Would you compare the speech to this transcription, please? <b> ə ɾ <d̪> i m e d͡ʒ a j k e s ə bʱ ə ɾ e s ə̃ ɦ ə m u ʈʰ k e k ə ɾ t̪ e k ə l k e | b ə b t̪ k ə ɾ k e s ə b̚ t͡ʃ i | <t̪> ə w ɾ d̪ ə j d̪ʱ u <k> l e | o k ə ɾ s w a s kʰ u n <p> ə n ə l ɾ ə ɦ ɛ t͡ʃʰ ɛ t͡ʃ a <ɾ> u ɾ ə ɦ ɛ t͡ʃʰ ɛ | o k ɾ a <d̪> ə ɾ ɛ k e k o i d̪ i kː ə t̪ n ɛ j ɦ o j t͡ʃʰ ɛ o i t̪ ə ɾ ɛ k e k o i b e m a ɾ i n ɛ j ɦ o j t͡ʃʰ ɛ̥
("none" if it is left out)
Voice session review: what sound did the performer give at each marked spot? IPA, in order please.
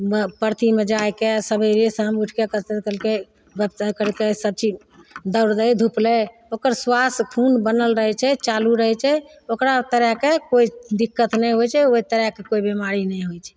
p, t̪, d̪, p, b, l, t̪

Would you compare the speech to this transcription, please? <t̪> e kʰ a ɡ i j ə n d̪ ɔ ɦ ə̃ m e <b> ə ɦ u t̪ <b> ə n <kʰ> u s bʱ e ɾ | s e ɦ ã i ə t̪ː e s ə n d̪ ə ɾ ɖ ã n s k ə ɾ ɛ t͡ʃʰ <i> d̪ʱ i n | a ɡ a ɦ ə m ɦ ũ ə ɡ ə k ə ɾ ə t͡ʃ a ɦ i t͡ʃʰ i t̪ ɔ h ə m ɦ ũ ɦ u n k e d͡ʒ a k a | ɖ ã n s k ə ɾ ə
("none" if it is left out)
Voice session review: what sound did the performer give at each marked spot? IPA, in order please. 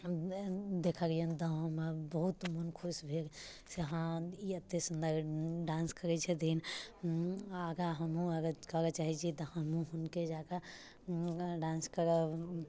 d̪, b, m, kʰ, ɛ

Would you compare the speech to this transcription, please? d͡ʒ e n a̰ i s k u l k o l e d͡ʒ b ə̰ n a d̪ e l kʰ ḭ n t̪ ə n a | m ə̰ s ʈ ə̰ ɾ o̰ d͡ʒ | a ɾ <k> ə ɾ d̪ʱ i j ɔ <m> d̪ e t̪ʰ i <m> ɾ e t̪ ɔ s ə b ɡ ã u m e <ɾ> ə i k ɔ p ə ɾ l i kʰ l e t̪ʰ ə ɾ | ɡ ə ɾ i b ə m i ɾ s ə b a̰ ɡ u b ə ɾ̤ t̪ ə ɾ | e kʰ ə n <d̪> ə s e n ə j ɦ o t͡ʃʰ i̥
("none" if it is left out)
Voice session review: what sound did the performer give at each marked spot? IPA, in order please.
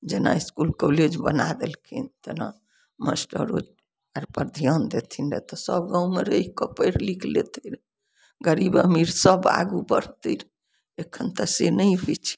p, n, n, ɾ, t̪

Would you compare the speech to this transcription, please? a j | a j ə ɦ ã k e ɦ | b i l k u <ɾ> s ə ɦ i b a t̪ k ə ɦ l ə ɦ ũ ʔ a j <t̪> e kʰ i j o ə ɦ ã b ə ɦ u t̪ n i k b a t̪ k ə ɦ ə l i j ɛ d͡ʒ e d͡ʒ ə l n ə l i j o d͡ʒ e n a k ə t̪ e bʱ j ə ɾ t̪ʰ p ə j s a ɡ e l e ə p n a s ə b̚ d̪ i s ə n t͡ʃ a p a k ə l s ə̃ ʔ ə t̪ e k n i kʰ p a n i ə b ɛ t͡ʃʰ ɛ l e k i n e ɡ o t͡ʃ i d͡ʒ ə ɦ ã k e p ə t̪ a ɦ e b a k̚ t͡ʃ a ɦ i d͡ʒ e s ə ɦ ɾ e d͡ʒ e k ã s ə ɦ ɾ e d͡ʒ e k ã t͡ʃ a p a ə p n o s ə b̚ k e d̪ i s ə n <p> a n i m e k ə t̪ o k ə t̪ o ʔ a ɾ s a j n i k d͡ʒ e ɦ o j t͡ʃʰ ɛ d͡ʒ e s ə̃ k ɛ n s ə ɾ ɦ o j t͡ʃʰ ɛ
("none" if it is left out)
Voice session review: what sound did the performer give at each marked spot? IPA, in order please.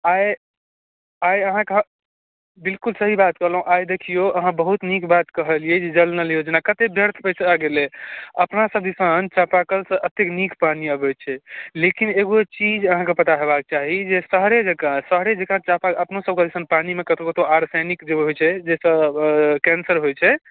l, d̪, p

